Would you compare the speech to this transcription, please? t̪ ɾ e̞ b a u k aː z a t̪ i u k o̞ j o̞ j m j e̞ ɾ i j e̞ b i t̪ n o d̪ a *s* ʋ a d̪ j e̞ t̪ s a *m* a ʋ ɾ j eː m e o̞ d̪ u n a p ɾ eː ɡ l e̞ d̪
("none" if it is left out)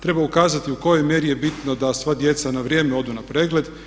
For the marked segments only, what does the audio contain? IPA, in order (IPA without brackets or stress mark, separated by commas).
s, n